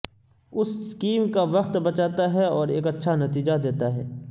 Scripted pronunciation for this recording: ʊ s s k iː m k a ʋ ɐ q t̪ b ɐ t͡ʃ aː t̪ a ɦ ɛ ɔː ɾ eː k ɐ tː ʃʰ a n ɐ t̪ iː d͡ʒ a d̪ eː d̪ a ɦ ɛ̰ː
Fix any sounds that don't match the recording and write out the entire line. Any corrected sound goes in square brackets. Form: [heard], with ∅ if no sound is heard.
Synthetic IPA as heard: ʊ s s k iː m k a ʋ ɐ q t̪ b ɐ t͡ʃ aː t̪ a ɦ ɛ ɔː ɾ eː k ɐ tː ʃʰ a n ɐ t̪ iː d͡ʒ a d̪ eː [t̪] a ɦ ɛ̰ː